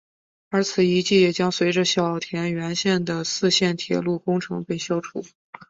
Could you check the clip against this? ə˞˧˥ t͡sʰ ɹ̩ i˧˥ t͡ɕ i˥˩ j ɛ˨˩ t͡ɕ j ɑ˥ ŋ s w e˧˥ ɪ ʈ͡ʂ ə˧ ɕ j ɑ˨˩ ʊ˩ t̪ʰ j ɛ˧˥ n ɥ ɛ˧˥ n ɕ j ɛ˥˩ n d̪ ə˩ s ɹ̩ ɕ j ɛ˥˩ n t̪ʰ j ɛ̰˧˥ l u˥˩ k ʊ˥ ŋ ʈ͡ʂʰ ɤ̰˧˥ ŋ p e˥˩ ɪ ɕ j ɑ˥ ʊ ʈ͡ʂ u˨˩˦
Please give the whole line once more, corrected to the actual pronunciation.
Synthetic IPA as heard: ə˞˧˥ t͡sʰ ɹ̩ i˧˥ t͡ɕ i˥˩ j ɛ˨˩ t͡ɕ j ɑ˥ ŋ s w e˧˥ ɪ ʈ͡ʂ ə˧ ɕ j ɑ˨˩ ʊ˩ t̪ʰ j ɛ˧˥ n ɥ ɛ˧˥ n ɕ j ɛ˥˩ n d̪ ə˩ s ɹ̩ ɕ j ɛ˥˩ n t̪ʰ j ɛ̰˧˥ l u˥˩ k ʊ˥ ŋ ʈ͡ʂʰ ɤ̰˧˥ ŋ p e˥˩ ɪ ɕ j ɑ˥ ʊ ʈ͡ʂʰ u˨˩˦